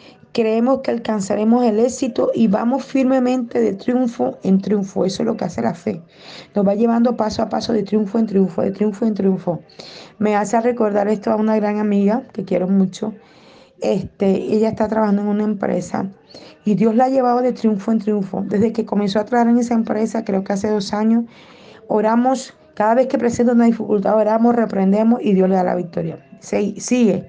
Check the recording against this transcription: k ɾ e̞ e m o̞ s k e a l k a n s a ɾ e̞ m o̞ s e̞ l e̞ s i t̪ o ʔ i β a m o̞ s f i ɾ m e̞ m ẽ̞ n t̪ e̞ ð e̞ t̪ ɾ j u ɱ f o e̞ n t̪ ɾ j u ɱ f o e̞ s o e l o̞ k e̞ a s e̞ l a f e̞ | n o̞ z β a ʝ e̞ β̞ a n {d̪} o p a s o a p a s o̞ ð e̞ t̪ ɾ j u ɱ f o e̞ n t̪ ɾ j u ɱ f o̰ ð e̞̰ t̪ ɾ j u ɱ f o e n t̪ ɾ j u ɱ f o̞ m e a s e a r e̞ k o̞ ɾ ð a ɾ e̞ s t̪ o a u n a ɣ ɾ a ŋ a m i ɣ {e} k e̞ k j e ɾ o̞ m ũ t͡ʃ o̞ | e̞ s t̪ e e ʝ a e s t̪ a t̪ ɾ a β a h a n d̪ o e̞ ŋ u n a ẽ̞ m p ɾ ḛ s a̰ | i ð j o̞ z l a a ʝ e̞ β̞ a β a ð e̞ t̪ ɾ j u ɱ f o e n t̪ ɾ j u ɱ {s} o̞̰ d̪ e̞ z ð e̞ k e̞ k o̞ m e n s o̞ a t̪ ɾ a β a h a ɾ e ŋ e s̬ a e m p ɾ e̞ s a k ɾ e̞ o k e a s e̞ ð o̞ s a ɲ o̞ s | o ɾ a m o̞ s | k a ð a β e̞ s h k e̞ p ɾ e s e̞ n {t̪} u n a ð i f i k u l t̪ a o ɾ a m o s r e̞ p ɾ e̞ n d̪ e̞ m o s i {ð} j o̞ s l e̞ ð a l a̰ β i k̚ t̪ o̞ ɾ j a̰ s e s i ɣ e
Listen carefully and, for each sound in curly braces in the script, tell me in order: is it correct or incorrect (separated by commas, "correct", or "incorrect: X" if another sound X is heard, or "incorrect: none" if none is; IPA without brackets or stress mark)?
correct, incorrect: a, incorrect: f, correct, correct